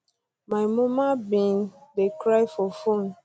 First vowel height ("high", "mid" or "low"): low